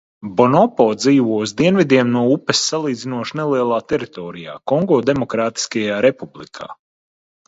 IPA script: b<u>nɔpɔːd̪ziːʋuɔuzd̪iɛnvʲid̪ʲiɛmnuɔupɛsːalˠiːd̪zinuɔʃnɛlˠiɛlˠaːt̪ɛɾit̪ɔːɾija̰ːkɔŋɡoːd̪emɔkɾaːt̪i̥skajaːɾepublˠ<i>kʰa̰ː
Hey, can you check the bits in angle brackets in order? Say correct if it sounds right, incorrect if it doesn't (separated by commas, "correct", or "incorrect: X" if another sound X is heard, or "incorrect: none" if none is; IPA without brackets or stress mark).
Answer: incorrect: ɔ, correct